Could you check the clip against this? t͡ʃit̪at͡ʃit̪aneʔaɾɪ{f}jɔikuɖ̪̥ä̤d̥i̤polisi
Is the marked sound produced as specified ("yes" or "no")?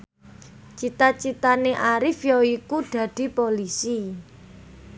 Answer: yes